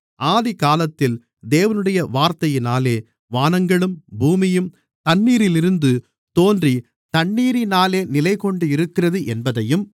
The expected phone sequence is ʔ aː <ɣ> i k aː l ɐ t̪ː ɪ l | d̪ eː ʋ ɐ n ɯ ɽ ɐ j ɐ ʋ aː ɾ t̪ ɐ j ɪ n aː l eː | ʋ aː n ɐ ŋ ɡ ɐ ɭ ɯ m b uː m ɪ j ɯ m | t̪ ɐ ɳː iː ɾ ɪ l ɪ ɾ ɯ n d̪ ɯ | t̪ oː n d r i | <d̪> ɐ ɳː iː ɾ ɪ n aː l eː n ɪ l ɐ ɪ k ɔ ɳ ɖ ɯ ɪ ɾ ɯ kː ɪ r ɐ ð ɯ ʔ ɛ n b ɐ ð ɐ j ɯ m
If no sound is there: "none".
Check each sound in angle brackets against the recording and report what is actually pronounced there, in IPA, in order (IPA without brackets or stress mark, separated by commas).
ð, t̪